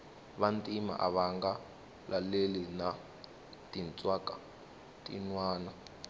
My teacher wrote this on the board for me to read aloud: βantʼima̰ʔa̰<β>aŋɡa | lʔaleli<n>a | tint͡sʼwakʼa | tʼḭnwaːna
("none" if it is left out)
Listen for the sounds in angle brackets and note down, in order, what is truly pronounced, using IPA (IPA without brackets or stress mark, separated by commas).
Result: β, n